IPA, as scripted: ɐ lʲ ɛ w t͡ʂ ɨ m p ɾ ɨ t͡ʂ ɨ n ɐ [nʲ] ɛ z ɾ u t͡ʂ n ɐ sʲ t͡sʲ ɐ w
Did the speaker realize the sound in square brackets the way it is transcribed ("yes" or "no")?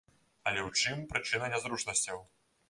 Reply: yes